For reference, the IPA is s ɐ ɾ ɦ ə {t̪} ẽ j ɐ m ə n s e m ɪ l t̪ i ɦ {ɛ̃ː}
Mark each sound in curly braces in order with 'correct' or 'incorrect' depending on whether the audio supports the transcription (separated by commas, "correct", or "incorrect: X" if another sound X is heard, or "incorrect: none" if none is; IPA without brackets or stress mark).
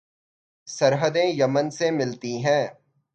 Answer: incorrect: d̪, correct